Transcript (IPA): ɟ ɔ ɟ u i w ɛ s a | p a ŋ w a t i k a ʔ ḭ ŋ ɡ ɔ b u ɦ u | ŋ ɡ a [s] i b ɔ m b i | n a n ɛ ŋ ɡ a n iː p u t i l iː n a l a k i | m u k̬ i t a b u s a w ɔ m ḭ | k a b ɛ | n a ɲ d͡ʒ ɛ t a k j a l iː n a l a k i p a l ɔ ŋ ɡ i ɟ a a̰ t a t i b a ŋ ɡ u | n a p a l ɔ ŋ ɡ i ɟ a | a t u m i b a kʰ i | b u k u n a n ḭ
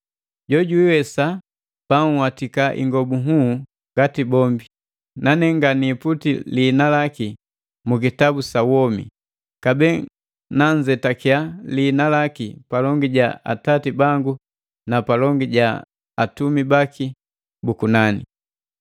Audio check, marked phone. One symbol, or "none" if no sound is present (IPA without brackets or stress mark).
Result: t